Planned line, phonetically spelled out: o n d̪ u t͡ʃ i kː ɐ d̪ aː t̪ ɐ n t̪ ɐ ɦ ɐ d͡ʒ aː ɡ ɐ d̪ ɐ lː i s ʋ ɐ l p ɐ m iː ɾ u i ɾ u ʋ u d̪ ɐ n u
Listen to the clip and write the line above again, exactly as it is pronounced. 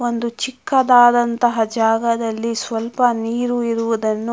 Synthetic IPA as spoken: o n d̪ u t͡ʃ i kː ɐ d̪ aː d̪ ɐ n t̪ ɐ ɦ ɐ d͡ʒ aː ɡ ɐ d̪ ɐ lː i s ʋ ɐ l p ɐ n iː ɾ u i ɾ u ʋ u d̪ ɐ nː u